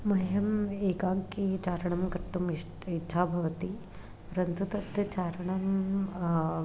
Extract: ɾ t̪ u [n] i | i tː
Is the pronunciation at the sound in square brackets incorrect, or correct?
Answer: incorrect